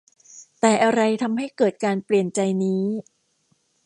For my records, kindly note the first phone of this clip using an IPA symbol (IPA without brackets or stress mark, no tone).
t̪